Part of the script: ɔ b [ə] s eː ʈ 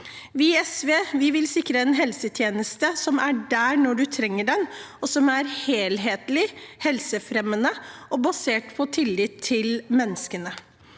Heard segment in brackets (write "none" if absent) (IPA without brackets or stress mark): ɑ